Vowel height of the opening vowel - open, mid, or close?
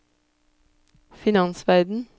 close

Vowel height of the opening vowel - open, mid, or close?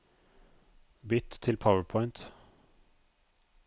close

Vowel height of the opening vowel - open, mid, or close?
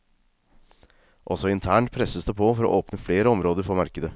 mid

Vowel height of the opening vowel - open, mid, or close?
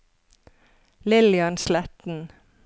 close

